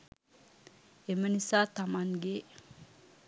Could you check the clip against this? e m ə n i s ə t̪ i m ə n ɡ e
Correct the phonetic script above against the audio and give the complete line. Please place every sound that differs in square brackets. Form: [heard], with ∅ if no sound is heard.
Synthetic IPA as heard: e m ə n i s [a] t̪ [a] m [a] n ɡ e